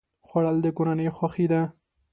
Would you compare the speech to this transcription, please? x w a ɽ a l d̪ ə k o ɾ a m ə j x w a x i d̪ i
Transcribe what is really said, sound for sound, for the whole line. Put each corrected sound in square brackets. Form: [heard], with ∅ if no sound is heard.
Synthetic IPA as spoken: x w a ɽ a l d̪ ə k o ɾ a [n] ə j x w a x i d̪ [a]

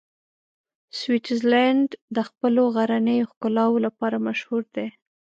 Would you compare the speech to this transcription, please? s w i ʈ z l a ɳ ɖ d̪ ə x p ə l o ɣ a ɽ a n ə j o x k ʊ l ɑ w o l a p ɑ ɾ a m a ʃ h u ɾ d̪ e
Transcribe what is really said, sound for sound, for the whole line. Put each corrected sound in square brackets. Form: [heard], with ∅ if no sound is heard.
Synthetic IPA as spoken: s w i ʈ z l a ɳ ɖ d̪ ə x p ə l o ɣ a [ɾ] a n ə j o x k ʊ l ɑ w o l a p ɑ ɾ a m a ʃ h u ɾ d̪ e

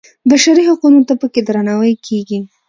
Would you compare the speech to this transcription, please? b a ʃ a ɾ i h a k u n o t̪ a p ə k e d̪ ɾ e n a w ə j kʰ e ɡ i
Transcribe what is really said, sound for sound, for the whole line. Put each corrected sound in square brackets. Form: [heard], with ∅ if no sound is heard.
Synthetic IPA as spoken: b a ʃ a ɾ i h a [q] u n o t̪ a p ə k e d̪ ɾ [a] n a w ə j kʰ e ɡ i

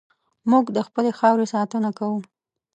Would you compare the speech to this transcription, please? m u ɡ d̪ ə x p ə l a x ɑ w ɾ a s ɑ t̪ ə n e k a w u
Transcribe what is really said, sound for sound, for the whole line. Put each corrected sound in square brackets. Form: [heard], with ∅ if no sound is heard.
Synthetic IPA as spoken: m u ɡ d̪ ə x p ə l [e] x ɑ w ɾ [e] s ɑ t̪ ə n [a] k a w u

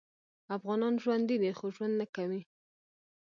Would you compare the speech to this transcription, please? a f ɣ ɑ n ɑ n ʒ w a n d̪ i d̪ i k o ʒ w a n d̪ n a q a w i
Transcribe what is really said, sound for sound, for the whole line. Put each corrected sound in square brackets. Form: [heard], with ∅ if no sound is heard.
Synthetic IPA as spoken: a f ɣ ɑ n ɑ n ʒ w a n d̪ i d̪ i [x] o ʒ w a n d̪ n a [k] a w i

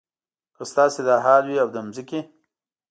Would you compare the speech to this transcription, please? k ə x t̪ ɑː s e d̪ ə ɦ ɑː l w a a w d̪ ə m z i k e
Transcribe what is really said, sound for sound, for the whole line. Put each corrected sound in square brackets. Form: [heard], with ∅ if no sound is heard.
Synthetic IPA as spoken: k ə [s] t̪ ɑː s e d̪ [ɑ] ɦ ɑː l w [i] a w d̪ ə m z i k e

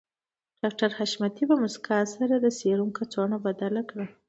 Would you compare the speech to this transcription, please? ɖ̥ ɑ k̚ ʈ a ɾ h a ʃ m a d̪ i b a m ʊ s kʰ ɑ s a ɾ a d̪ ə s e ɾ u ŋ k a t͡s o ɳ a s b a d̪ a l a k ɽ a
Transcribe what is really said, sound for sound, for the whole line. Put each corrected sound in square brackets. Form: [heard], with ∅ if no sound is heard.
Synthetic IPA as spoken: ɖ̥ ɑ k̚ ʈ a ɾ h a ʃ m a [t̪] i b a m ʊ s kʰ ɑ s a ɾ a d̪ ə s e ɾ u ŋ k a t͡s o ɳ a [∅] b a d̪ a l a k ɽ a

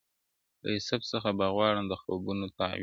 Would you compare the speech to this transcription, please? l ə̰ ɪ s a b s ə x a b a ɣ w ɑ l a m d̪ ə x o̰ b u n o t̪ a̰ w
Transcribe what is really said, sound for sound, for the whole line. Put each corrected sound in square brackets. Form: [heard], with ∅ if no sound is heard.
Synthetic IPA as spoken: l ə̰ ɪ s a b s ə x a b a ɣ w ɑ [ɽ] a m d̪ ə x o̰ b u n o t̪ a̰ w

